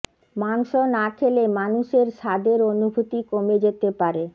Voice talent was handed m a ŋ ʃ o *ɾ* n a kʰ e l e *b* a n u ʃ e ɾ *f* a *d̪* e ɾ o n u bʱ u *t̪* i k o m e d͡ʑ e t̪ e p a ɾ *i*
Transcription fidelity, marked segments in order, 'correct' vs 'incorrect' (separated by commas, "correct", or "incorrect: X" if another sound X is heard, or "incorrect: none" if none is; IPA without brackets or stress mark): incorrect: none, incorrect: m, incorrect: ʃ, correct, correct, incorrect: e